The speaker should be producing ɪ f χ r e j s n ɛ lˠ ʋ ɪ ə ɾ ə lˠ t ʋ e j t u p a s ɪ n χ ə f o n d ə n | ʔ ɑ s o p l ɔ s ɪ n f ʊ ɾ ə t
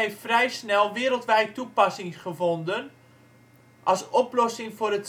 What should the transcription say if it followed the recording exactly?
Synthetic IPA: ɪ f f r ɛ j s n ɛ lˠ ʋ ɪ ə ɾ ə lˠ t ʋ ɛ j t u p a s ɪ ŋ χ ə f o n d ə n | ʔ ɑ s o p l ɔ s ɪ ŋ f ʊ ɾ ə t

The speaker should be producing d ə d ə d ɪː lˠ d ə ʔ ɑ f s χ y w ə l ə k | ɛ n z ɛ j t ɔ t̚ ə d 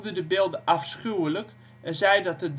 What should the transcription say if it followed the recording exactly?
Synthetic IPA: d ə d ə b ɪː lˠ d ə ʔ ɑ f s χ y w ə l ə k | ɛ n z ɛ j d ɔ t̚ ə d

